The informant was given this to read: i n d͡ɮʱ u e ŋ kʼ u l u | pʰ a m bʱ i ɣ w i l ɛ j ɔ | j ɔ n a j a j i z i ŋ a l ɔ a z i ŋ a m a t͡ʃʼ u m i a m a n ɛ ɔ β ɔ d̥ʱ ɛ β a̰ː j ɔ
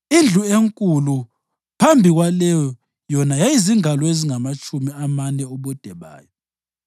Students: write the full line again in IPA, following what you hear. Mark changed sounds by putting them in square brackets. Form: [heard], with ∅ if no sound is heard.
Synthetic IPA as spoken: i n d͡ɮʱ u e ŋ kʼ u l u | pʰ a m bʱ i ɣ w [a] l ɛ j ɔ | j ɔ n a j a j i z i ŋ a l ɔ [e] z i ŋ a m a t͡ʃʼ u m i a m a n ɛ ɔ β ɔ d̥ʱ ɛ β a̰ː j ɔ